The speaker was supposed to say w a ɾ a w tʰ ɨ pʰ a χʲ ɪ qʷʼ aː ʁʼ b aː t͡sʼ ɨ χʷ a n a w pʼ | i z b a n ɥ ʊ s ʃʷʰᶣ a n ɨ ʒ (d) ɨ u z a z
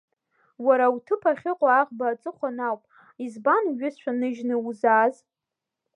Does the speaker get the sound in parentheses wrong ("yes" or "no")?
yes